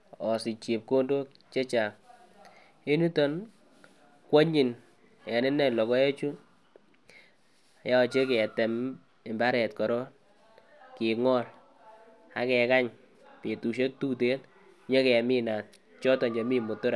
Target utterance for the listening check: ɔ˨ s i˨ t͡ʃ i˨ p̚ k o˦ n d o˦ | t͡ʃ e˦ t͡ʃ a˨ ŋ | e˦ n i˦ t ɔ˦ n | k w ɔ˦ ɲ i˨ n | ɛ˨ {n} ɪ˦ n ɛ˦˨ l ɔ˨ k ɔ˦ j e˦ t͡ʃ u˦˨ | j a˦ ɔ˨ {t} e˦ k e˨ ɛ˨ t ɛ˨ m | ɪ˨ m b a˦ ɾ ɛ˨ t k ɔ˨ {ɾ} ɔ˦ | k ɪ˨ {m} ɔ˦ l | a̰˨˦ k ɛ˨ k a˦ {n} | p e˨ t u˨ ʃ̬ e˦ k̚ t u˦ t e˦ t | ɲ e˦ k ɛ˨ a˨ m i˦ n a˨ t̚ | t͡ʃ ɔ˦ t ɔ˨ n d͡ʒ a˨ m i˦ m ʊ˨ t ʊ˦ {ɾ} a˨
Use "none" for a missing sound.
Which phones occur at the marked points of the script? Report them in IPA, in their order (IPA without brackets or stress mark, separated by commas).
n, t͡ʃ, ɾ, ŋ, ɲ, ɾ